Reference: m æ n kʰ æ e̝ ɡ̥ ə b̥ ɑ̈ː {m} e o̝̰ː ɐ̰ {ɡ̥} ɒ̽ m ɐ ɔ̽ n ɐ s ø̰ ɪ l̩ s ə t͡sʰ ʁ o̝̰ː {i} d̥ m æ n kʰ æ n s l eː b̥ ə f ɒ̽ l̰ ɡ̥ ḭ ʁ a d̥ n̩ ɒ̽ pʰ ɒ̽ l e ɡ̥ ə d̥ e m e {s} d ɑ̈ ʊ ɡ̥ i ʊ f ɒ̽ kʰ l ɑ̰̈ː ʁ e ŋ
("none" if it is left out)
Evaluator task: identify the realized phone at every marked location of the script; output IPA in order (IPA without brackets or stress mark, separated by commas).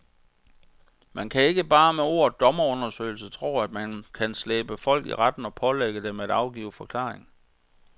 m, d̥, æ, none